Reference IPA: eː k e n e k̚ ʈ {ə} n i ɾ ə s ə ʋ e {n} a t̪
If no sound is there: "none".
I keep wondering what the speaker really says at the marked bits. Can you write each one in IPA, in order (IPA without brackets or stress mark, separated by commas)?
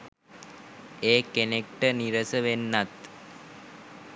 ə, nː